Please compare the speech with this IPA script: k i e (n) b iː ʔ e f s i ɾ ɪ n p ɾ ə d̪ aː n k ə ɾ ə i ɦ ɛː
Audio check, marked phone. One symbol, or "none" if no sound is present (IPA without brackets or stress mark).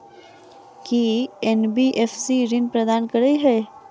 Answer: n